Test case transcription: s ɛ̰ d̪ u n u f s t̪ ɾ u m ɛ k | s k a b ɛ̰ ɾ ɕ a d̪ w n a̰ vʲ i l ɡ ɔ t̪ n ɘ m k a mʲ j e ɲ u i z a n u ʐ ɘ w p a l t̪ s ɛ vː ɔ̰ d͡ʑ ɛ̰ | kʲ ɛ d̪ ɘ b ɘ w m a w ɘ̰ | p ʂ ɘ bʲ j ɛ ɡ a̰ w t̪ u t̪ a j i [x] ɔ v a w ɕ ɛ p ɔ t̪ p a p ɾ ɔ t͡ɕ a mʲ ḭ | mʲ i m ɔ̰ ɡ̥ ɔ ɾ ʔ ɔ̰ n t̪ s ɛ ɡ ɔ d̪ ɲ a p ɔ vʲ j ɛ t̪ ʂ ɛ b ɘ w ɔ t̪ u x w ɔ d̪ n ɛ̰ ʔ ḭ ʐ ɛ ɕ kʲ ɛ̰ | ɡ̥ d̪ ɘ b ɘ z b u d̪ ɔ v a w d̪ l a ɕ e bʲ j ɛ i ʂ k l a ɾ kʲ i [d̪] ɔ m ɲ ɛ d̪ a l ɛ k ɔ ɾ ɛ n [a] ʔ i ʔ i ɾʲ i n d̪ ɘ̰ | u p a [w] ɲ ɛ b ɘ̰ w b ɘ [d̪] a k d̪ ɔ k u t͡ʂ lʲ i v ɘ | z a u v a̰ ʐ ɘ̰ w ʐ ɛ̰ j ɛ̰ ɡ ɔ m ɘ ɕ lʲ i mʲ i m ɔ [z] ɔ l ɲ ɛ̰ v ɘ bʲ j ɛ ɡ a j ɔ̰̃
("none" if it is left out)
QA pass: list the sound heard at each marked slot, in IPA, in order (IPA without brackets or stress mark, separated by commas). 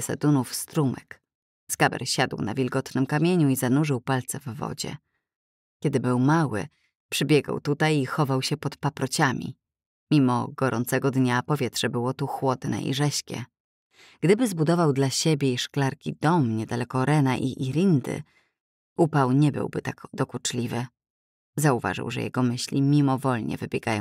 x, d̪, a, w, t̪, v